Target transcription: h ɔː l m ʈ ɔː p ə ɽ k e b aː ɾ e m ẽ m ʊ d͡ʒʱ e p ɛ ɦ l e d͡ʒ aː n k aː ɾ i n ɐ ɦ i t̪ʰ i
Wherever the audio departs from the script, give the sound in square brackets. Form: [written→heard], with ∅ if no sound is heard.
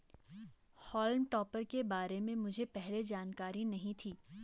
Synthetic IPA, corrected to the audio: h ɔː l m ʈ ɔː p ə [ɽ→ɾ] k e b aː ɾ e m ẽ m ʊ d͡ʒʱ e p ɛ ɦ l e d͡ʒ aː n k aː ɾ i n ɐ ɦ [i→ĩ] t̪ʰ [i→iː]